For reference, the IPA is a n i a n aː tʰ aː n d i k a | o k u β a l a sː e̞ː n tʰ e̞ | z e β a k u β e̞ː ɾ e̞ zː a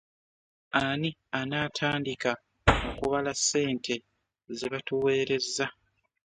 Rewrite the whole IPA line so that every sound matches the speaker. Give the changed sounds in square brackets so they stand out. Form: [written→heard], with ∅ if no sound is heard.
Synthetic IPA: a n i a n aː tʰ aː n d i k a | o k u β a l a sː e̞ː n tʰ e̞ | z e β a [k→t] u [β→w] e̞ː ɾ e̞ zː a